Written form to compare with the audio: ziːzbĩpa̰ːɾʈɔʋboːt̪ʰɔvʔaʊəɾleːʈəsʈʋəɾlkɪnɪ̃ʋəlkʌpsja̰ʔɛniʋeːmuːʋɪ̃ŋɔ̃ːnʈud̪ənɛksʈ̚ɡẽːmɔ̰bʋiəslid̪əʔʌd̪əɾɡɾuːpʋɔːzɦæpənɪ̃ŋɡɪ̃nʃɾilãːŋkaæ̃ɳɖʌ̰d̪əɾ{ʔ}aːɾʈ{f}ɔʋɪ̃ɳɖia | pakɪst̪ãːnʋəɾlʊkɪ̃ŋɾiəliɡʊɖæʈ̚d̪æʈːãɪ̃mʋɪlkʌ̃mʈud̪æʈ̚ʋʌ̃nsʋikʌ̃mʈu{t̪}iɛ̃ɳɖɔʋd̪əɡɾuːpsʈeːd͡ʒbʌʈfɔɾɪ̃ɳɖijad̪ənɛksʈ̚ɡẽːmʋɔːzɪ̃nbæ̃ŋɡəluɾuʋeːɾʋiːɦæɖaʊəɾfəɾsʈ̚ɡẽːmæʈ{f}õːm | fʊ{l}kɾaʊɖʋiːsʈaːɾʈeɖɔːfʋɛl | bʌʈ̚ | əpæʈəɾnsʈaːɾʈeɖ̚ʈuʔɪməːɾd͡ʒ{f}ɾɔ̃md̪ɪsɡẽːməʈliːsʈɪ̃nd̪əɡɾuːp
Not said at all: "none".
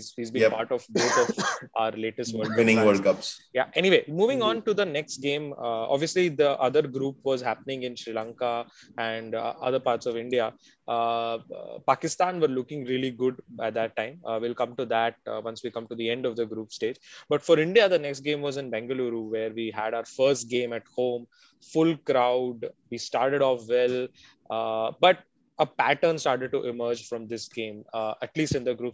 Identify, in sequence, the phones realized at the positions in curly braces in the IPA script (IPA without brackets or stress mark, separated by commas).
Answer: p, s, d̪, h, l, f